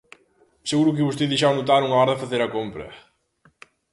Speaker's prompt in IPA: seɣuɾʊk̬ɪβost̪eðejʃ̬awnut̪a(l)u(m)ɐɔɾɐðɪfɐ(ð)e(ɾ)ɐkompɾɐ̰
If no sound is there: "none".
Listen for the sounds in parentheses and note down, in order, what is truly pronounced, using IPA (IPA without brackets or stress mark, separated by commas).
ɾ, ŋ, θ, ɾ